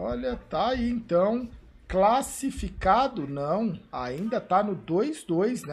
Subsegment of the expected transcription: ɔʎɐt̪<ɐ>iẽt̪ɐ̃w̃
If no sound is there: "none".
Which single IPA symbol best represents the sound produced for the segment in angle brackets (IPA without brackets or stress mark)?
a